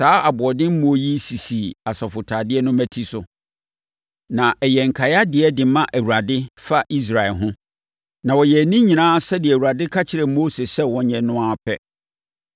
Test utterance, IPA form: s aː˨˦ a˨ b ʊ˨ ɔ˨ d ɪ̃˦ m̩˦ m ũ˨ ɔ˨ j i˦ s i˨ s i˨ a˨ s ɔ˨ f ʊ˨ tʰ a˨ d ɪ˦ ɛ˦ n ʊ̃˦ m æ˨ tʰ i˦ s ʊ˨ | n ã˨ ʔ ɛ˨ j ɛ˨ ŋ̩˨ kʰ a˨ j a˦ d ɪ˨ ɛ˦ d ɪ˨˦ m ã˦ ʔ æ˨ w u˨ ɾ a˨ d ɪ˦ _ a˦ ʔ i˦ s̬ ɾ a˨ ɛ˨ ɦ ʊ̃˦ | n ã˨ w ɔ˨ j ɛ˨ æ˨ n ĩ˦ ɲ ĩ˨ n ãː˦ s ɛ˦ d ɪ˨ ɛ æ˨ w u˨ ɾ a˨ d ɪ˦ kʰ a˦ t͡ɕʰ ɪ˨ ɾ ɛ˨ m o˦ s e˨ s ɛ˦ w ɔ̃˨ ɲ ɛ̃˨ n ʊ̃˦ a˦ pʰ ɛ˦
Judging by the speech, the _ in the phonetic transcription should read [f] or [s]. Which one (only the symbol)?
f